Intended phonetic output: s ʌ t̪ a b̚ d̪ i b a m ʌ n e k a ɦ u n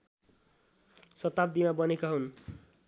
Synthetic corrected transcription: s ʌ t̪ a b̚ d̪ i m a b ʌ n e k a ɦ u n